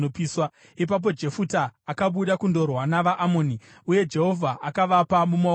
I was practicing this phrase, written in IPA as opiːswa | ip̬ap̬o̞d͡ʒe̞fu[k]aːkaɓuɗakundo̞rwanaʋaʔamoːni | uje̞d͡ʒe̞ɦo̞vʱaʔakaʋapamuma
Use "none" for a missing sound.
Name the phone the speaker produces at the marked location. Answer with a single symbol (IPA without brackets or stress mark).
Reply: t